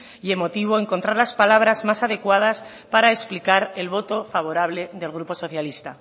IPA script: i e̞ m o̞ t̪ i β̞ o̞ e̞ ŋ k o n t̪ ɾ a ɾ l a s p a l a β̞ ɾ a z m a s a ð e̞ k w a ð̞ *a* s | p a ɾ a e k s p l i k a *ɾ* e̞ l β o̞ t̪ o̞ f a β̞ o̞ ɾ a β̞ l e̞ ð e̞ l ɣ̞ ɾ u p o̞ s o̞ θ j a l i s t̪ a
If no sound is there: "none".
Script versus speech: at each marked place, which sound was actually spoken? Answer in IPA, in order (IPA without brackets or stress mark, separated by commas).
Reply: a, ɾ